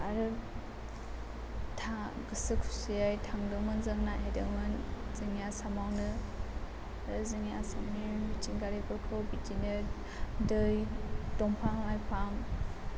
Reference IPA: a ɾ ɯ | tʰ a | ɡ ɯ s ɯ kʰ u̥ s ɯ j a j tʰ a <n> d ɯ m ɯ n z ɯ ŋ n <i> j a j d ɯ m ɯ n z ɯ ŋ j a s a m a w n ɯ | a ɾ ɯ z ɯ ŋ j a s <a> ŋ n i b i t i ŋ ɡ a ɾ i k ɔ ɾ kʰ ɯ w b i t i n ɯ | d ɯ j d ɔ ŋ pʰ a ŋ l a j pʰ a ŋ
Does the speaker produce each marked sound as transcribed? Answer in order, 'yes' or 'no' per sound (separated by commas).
no, no, yes